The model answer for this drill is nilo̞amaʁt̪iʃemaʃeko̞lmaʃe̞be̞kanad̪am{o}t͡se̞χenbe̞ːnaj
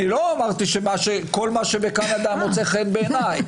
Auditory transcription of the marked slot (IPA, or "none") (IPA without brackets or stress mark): o